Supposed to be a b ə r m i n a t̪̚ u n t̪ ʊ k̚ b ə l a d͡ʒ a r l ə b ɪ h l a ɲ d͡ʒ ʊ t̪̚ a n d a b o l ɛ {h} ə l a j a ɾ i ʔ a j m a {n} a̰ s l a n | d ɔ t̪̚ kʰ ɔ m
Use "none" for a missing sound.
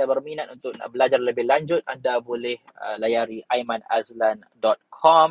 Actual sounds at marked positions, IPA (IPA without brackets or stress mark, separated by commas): h, n